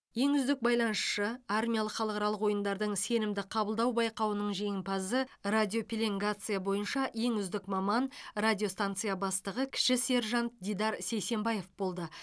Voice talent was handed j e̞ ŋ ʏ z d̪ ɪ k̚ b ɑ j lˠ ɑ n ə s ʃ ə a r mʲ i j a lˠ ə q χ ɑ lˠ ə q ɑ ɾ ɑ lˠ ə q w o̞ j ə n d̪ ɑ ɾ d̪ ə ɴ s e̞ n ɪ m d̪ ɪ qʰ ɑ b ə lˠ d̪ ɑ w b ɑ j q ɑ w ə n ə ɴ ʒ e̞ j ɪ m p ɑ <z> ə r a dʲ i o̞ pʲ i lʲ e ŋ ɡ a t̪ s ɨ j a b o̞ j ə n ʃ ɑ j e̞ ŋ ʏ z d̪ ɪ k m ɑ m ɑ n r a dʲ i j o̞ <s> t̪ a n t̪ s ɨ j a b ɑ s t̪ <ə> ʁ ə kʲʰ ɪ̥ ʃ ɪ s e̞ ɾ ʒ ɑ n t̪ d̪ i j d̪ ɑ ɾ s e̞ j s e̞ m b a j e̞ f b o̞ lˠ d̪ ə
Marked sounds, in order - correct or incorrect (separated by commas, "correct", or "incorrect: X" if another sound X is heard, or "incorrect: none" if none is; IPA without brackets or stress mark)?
correct, correct, correct